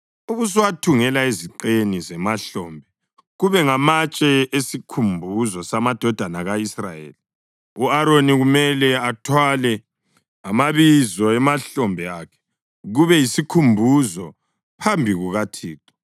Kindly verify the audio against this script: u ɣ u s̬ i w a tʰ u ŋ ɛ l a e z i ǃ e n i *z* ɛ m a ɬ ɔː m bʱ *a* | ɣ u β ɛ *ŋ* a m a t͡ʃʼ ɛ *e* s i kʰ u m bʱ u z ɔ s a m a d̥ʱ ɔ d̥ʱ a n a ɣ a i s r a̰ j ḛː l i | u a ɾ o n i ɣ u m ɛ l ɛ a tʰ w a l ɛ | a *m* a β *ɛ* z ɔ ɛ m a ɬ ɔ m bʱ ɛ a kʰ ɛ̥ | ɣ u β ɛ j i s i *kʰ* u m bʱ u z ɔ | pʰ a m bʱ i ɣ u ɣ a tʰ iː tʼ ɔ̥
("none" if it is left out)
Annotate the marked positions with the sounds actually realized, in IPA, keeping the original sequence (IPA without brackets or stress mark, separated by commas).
z, ɛ, ŋ, e, m, i, kʰ